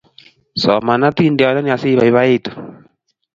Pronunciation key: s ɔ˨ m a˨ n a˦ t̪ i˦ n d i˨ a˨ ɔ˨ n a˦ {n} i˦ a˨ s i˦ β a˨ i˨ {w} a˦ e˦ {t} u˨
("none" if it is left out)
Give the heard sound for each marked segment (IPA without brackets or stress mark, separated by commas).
n, β, t